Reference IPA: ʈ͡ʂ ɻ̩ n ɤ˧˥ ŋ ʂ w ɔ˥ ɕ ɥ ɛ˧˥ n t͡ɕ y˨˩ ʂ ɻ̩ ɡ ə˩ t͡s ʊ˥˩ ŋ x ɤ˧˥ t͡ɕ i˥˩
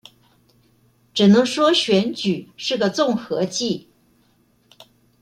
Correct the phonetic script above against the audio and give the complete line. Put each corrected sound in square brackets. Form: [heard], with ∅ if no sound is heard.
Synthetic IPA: ʈ͡ʂ ɻ̩ n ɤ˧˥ ŋ ʂ w ɔ˥ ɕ ɥ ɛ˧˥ n t͡ɕ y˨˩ ʂ ɻ̩ ɡ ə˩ t͡s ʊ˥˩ ŋ x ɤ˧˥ t͡ɕ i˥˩